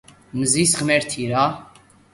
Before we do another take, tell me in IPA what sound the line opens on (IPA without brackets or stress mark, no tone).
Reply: m